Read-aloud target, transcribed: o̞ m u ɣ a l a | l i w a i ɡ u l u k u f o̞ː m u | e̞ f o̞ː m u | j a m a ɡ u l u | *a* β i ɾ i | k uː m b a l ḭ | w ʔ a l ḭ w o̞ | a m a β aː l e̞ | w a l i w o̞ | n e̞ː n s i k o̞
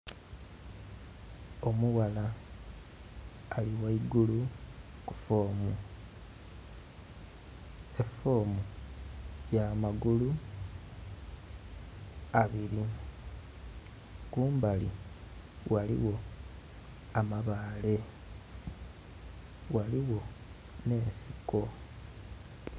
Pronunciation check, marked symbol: correct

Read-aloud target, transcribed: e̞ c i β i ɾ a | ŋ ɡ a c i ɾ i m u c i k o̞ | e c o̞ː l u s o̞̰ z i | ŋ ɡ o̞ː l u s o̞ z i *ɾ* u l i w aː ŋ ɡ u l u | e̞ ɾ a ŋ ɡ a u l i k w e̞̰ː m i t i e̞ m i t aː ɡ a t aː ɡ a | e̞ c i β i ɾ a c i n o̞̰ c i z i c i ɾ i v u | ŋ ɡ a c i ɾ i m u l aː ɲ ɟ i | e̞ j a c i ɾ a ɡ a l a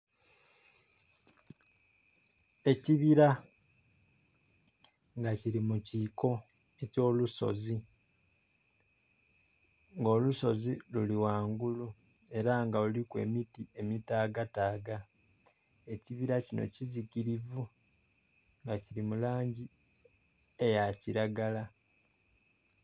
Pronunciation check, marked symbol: incorrect: l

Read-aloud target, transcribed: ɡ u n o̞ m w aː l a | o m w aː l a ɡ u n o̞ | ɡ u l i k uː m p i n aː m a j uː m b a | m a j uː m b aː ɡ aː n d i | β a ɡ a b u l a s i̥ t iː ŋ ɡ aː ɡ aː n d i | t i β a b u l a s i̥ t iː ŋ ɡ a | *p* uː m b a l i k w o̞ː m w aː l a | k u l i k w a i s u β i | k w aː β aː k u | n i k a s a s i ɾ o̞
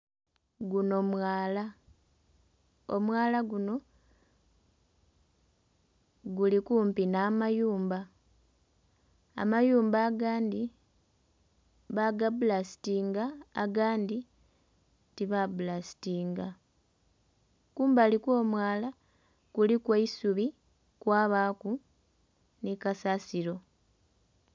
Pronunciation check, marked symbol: incorrect: k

